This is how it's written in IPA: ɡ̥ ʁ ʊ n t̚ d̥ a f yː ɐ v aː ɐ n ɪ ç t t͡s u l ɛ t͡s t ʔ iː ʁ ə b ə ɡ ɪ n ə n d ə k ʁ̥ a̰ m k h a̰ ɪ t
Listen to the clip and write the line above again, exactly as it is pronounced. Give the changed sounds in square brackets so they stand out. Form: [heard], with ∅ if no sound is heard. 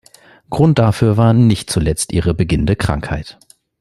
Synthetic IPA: ɡ̥ ʁ ʊ n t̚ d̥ a f yː ɐ v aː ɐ n ɪ ç t t͡s u l ɛ t͡s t ʔ iː ʁ ə b ə ɡ ɪ n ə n d ə k ʁ̥ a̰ [ŋ] k h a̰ ɪ t